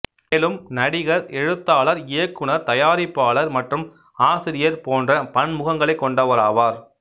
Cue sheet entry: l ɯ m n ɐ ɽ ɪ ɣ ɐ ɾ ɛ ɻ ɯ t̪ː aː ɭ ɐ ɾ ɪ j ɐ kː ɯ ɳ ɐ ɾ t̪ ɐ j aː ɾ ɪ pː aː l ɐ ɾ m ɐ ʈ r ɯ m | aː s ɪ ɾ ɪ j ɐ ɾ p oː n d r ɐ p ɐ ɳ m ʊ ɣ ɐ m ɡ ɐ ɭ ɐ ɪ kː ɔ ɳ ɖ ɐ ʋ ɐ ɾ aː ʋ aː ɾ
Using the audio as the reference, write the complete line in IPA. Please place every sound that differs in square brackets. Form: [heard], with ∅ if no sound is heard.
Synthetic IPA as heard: l ɯ m n ɐ ɽ ɪ ɣ ɐ ɾ ɛ ɻ ɯ t̪ː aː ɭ ɐ ɾ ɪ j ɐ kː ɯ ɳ ɐ ɾ t̪ ɐ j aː ɾ ɪ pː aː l ɐ ɾ m ɐ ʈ r ɯ m | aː s ɪ ɾ ɪ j ɐ ɾ p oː n d r ɐ p ɐ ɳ m ʊ ɣ ɐ [ŋ] ɡ ɐ ɭ ɐ ɪ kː ɔ ɳ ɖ ɐ ʋ ɐ ɾ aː ʋ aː ɾ